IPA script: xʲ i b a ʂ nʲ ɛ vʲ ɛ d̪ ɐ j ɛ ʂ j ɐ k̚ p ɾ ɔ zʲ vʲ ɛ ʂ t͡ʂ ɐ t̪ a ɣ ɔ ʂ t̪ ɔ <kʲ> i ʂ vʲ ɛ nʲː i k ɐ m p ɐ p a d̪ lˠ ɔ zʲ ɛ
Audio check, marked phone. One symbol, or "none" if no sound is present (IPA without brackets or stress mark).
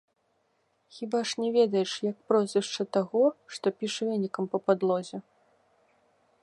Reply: pʲ